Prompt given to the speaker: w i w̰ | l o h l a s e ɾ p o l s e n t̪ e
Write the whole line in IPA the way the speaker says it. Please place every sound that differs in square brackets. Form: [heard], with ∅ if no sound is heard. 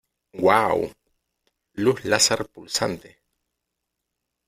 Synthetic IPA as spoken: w [a] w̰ | l [u] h l a s [a] ɾ p [u] l s [a] n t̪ e